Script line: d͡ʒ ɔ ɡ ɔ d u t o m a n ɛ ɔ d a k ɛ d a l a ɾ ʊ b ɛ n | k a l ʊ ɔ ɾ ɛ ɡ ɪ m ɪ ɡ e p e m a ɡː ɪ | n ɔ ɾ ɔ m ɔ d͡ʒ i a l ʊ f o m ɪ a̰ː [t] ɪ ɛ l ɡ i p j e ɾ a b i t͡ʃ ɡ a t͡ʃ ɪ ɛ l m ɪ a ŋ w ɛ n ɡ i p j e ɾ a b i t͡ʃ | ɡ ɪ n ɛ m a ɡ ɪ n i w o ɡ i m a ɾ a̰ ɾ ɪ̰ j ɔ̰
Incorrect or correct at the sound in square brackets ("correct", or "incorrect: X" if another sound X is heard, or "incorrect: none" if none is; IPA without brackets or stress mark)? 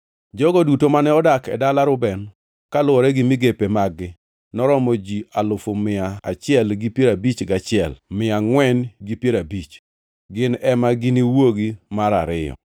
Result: incorrect: t͡ʃ